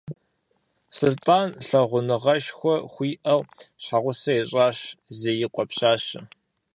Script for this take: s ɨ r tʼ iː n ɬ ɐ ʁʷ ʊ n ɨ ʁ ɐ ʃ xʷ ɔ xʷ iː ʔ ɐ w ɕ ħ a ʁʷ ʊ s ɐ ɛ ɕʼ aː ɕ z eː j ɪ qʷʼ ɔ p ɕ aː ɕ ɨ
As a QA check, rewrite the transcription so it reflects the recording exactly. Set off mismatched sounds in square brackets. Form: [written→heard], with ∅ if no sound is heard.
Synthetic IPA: s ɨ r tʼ [iː→aː] n ɬ ɐ ʁʷ ʊ n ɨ ʁ ɐ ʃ xʷ ɔ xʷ iː ʔ ɐ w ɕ ħ a ʁʷ ʊ s ɐ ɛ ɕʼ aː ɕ z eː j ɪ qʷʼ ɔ p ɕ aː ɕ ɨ